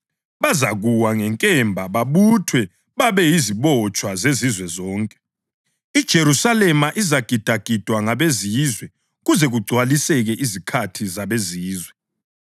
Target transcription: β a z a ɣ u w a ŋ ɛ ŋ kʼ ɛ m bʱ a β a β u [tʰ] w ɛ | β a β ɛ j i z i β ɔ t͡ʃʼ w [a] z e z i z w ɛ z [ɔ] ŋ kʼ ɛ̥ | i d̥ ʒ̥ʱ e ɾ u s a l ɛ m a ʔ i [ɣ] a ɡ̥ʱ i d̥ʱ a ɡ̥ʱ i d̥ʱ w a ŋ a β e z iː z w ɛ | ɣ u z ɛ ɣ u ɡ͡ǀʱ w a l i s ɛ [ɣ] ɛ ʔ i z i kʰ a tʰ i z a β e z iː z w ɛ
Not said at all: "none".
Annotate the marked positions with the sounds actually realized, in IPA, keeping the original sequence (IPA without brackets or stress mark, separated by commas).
tʰ, a, ɔː, z, ɣ